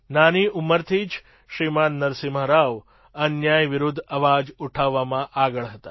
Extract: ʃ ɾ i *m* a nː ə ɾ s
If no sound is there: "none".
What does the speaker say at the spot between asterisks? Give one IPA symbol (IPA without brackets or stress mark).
m